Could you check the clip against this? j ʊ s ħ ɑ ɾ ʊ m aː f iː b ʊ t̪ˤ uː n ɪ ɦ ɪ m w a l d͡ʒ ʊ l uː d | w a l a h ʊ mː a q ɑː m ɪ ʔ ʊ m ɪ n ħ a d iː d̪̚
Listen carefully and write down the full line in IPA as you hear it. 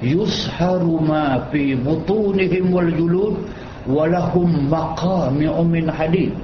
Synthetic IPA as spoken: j ʊ s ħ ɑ ɾ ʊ m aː f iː b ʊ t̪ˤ uː n ɪ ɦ ɪ m w a l d͡ʒ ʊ l uː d | w a l a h ʊ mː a q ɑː m ɪ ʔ ʊ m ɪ n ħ a d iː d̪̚